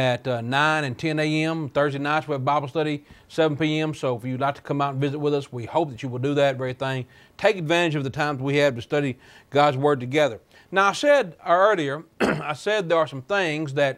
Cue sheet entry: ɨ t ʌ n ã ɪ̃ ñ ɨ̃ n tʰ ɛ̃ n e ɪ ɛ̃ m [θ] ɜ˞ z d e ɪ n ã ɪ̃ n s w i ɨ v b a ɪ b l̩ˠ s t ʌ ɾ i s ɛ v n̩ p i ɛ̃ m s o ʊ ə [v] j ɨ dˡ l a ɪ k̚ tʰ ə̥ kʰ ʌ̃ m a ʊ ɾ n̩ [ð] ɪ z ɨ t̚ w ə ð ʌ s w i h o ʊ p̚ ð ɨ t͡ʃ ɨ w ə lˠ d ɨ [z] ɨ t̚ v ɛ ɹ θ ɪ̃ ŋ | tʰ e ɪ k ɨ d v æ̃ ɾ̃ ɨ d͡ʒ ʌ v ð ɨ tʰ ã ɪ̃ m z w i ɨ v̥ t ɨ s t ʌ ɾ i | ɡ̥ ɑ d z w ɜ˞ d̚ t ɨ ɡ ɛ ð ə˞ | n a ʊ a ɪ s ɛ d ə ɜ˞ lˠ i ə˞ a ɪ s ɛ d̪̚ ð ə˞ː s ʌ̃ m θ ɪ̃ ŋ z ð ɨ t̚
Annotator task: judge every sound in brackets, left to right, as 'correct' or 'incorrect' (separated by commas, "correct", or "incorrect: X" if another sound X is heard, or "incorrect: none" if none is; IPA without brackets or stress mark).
correct, incorrect: f, incorrect: v, incorrect: ð